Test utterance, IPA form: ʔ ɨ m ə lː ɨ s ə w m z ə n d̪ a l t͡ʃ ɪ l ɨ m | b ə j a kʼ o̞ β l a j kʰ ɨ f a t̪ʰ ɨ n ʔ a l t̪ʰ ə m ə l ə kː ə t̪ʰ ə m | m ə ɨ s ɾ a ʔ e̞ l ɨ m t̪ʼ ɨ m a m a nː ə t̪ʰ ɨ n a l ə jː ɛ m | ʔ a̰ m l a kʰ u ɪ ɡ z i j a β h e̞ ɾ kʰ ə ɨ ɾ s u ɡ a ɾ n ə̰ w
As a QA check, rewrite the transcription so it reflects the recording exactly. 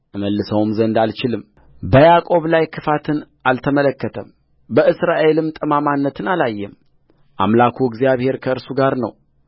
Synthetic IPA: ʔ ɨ m ə lː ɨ s ə w m z ə n d̪ a l t͡ʃ ɪ l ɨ m | b ə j a kʼ o̞ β l a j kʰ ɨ f a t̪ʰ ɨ n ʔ a l t̪ʰ ə m ə l ə kː ə t̪ʰ ə m | b ə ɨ s ɾ a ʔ e̞ l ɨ m t̪ʼ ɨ m a m a nː ə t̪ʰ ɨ n a l a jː ɛ m | ʔ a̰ m l a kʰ u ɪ ɡ z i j a β h e̞ ɾ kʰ ə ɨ ɾ s u ɡ a ɾ n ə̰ w